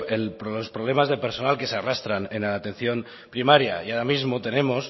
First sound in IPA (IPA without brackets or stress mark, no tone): e